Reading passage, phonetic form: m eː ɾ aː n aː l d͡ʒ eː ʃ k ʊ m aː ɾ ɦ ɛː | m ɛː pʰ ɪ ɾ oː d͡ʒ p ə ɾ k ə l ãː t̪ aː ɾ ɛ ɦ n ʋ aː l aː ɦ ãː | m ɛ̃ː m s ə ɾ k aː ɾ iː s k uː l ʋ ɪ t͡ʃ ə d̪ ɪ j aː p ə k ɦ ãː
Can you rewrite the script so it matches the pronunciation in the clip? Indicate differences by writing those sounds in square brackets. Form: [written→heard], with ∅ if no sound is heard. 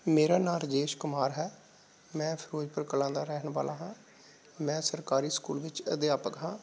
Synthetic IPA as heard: m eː ɾ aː n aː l d͡ʒ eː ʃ k ʊ m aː ɾ ɦ ɛː | m [ɛː→ɛ̃ː] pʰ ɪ ɾ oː d͡ʒ p ə ɾ k ə l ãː [t̪→d̪] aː ɾ ɛ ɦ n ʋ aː l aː ɦ ãː | m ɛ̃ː [m→∅] s ə ɾ k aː ɾ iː s k uː l ʋ ɪ t͡ʃ ə d̪ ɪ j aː p ə k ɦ ãː